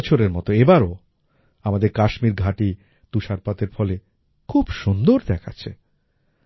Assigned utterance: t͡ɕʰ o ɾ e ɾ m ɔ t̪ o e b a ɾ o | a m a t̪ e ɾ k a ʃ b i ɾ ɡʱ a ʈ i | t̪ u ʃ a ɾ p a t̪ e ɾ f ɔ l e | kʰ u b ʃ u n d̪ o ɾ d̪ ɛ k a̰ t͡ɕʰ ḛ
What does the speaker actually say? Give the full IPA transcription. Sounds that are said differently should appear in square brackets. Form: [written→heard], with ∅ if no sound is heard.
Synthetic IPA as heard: t͡ɕʰ o ɾ e ɾ m ɔ t̪ o e b a ɾ o | a m a [t̪→d̪] e ɾ k a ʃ [b→m] i ɾ ɡʱ a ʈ i | t̪ u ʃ a ɾ p a t̪ e ɾ f ɔ l e | kʰ u b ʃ u n d̪ o ɾ d̪ ɛ [k→kʰ] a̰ t͡ɕʰ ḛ